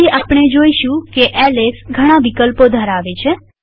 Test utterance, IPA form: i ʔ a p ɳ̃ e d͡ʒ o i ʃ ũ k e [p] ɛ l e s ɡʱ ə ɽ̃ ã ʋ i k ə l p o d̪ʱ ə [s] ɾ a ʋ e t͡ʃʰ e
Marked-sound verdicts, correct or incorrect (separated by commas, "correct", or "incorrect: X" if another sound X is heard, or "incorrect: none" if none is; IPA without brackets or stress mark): incorrect: ʔ, incorrect: none